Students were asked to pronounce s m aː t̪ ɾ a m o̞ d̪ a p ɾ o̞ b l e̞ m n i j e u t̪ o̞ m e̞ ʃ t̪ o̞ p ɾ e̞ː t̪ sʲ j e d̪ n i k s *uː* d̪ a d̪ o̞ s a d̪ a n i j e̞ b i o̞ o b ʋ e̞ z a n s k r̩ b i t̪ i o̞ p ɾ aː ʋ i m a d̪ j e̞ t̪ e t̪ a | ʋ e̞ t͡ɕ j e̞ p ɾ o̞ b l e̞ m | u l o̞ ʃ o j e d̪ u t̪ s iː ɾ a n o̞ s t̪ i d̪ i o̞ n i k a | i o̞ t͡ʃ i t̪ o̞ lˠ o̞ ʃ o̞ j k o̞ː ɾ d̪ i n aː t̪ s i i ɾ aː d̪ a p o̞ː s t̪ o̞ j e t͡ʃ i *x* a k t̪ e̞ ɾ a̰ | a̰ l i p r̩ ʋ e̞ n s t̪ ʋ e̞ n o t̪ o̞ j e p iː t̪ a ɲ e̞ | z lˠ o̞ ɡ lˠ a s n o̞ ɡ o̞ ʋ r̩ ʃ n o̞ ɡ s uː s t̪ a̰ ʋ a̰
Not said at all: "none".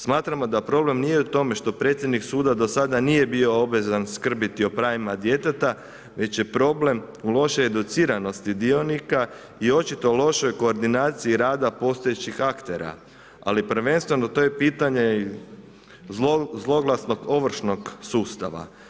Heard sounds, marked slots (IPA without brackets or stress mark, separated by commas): uː, x